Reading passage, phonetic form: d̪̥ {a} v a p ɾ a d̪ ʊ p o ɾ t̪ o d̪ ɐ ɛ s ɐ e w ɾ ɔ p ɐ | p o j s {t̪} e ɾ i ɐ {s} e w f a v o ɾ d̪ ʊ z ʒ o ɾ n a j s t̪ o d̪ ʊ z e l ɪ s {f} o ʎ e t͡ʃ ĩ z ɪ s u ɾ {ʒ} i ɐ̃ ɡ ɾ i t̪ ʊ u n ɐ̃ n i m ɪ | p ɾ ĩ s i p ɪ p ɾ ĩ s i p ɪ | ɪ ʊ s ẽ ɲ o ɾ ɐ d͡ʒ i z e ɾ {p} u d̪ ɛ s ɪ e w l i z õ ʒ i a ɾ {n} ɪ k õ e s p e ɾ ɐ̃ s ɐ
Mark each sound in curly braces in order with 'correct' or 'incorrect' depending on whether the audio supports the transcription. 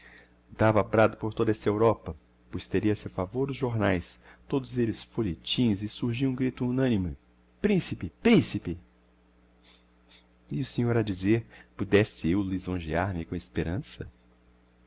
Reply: correct, correct, correct, correct, correct, correct, incorrect: m

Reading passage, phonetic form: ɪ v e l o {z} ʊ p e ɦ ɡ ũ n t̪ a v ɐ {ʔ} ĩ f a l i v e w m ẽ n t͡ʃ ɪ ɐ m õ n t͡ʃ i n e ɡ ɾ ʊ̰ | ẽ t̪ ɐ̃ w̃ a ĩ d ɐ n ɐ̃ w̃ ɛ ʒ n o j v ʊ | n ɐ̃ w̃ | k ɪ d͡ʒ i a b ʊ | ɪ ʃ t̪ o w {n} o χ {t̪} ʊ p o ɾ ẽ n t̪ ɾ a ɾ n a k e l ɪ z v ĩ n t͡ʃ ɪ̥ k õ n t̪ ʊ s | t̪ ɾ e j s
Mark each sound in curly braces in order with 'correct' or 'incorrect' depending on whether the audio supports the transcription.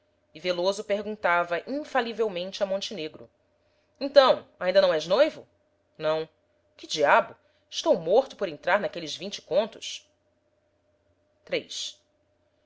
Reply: correct, correct, incorrect: m, correct

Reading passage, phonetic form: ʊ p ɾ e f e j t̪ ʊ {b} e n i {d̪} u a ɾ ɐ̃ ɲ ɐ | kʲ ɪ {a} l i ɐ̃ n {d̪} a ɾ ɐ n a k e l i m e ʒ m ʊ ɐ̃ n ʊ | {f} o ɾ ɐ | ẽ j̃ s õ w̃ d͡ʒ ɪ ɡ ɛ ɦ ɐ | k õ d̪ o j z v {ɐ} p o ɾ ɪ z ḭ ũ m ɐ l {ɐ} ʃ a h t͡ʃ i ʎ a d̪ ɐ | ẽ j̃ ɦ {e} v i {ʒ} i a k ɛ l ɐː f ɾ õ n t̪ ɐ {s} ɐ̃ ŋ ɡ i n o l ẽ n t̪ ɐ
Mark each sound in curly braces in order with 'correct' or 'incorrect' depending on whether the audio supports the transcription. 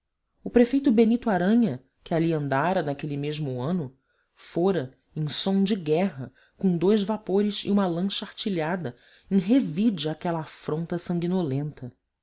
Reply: correct, incorrect: t̪, correct, correct, correct, incorrect: a, incorrect: ɐ̃, correct, incorrect: d͡ʒ, correct

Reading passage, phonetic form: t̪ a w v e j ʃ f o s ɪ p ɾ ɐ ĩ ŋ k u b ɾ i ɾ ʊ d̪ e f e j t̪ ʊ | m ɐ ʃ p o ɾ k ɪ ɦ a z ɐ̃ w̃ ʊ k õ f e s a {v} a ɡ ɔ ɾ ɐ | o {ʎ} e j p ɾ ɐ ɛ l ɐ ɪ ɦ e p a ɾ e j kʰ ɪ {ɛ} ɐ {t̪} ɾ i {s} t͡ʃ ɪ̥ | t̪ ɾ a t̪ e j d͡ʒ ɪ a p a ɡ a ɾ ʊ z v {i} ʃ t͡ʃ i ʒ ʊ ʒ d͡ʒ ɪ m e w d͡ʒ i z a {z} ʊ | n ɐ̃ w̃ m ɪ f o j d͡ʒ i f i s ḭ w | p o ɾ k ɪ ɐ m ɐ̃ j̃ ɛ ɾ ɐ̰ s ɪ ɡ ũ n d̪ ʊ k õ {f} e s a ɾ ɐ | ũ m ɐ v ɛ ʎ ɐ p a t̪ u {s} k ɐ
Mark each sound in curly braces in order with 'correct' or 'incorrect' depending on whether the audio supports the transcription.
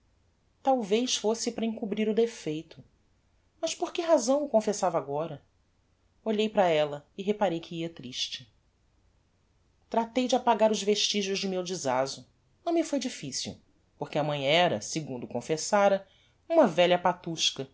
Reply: correct, correct, incorrect: i, correct, incorrect: ʃ, incorrect: e, correct, correct, incorrect: ʃ

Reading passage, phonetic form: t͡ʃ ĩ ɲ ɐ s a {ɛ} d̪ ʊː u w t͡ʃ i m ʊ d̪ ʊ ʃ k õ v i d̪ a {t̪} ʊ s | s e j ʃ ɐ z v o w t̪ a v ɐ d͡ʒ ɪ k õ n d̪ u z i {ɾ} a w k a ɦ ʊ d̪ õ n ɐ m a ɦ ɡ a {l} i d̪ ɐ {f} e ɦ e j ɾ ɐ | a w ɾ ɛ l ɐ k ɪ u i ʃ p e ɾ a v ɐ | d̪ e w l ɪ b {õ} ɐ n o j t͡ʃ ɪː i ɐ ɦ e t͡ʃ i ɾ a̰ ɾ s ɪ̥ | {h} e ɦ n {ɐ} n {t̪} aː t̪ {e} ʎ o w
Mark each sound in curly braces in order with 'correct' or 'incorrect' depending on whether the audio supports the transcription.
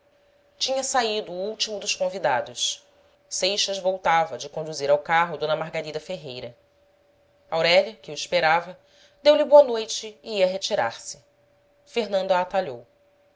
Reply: incorrect: i, incorrect: d̪, correct, incorrect: ɾ, correct, incorrect: o, incorrect: f, incorrect: ɐ̃, incorrect: d̪, incorrect: a

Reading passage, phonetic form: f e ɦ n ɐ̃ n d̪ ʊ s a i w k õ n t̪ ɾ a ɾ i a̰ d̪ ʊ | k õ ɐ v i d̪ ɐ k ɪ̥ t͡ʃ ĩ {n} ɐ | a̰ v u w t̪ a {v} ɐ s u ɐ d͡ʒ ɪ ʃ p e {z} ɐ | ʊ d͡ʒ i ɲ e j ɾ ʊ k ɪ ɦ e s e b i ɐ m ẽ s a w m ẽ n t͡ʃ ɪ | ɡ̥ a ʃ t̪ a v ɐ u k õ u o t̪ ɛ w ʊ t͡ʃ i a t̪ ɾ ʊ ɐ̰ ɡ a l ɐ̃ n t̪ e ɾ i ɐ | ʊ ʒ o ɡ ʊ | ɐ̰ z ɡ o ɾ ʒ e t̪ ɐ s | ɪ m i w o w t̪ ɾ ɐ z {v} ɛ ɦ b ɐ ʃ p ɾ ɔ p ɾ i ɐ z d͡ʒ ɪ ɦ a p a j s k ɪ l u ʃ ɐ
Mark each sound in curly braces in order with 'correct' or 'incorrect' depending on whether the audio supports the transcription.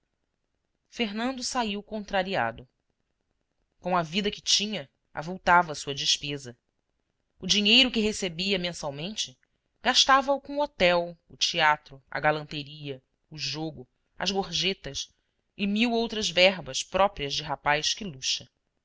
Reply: incorrect: ɲ, correct, correct, correct

